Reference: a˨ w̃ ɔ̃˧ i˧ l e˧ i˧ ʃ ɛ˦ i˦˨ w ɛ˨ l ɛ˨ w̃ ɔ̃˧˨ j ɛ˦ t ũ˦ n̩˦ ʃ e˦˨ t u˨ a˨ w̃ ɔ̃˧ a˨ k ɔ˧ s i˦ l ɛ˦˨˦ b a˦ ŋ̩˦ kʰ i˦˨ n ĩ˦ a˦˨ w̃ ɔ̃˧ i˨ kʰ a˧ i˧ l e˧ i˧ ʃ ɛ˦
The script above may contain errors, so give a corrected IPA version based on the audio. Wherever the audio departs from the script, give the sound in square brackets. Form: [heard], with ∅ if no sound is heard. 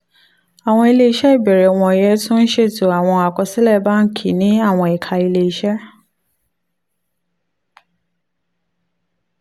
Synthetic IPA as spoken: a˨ w̃ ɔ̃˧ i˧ l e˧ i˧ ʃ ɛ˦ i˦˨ [b] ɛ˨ [ɾ] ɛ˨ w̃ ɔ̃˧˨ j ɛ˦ t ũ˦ n̩˦ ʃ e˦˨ t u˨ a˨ w̃ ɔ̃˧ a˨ k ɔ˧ s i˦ l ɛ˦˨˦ b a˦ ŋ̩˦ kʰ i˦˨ n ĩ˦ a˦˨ w̃ ɔ̃˧ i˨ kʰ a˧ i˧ l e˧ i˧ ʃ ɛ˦